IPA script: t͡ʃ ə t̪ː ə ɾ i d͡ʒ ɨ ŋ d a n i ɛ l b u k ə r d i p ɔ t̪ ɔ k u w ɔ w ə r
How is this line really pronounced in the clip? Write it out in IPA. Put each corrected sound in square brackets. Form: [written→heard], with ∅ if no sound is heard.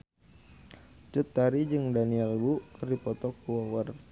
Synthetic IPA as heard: t͡ʃ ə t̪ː [ə→a] ɾ i d͡ʒ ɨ ŋ d a n i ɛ l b u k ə r d i p ɔ t̪ ɔ k u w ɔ w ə r